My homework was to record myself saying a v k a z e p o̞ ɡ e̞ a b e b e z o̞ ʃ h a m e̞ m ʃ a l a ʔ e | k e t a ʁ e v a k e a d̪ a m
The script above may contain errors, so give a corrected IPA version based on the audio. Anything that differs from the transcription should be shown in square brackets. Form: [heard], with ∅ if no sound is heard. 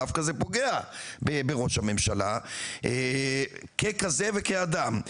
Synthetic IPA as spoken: a [f] k a z e p o̞ ɡ e̞ a b e b e [ʁ] o̞ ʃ h a m e̞ m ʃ a l a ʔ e | k e [k] a [z] e v [e] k e a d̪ a m